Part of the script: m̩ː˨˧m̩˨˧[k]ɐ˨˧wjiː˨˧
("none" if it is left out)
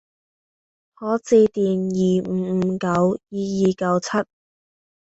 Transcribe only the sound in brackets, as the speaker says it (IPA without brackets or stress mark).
k